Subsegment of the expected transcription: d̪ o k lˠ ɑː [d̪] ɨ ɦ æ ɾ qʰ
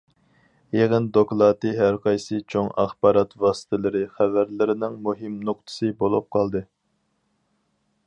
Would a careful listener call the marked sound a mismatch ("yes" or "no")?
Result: yes